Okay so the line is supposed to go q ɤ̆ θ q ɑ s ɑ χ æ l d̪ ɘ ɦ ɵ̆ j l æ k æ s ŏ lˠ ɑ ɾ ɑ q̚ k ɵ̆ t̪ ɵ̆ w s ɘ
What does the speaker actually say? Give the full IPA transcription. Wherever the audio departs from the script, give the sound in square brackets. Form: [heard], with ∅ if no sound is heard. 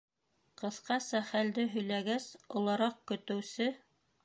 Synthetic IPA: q ɤ̆ θ q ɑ s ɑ χ æ l d̪ ɘ ɦ ɵ̆ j l æ [ɡ] æ s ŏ lˠ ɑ ɾ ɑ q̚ k ɵ̆ t̪ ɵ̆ w s ɘ